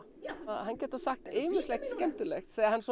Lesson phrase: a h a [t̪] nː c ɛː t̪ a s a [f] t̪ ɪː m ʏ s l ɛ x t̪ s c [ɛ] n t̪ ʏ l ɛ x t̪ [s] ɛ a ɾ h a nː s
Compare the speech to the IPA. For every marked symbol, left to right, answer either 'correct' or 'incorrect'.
incorrect: none, incorrect: x, correct, incorrect: θ

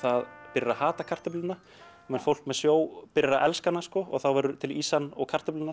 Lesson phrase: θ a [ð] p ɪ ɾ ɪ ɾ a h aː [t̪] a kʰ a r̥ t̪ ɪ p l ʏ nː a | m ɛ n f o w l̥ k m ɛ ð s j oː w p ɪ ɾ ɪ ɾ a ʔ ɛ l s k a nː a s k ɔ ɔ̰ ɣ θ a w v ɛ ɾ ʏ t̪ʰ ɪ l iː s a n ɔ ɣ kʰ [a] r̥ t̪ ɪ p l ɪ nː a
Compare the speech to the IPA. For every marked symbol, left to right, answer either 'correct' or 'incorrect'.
correct, correct, correct

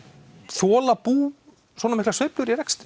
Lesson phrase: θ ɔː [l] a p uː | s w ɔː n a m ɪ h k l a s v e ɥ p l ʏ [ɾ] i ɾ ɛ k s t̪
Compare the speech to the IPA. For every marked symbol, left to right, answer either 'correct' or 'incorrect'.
correct, correct

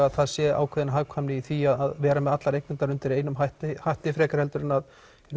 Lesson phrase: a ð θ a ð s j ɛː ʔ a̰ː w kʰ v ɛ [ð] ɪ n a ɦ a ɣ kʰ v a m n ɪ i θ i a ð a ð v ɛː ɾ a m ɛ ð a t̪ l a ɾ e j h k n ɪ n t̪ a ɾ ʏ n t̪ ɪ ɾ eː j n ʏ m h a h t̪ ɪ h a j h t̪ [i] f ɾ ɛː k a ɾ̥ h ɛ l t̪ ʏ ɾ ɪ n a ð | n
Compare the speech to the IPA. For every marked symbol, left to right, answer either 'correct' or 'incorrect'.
correct, incorrect: ɪ

